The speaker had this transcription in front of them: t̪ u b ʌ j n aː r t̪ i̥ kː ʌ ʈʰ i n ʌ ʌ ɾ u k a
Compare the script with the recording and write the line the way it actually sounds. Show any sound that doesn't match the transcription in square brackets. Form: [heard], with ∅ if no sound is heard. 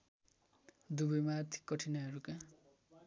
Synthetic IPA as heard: [d̪] u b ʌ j [m] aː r [t̪ʰ] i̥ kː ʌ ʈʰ i n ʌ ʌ ɾ u k a